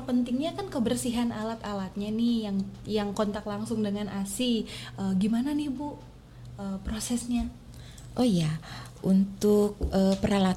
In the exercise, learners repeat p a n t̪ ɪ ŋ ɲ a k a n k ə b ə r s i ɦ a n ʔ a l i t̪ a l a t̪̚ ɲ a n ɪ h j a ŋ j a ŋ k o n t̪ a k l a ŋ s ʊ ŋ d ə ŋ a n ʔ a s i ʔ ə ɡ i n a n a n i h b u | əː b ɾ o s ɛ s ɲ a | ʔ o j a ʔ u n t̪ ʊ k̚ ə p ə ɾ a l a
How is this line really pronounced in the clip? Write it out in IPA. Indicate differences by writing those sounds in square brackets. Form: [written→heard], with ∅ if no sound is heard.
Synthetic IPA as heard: p [a→ə] n t̪ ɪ ŋ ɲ a k a n k ə b ə r s i ɦ a n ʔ a l [i→a] t̪ a l a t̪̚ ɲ a n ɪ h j a ŋ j a ŋ k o n t̪ a k l a ŋ s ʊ ŋ d ə ŋ a n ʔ a s i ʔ ə ɡ i [n→m] a n a n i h b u | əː [b→p] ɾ o s ɛ s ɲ a | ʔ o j a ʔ u n t̪ ʊ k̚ ə p ə ɾ a l a